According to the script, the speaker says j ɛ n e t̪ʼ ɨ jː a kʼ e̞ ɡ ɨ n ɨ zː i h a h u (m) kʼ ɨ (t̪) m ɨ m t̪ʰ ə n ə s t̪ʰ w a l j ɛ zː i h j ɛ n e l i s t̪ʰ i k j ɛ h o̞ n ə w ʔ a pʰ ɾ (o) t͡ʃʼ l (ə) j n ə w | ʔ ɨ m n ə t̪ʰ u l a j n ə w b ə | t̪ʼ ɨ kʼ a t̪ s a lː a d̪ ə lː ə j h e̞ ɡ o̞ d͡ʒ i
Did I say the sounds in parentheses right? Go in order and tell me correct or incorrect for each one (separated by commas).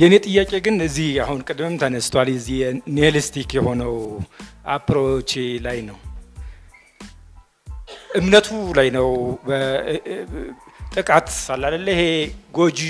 incorrect, incorrect, correct, incorrect